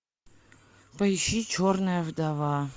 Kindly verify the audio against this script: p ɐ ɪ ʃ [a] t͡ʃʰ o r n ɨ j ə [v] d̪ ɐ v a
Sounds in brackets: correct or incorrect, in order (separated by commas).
incorrect, correct